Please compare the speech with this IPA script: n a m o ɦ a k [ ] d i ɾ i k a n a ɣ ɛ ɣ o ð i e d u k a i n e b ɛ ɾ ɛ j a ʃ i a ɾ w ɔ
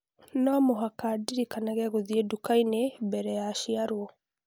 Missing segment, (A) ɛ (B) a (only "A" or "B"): B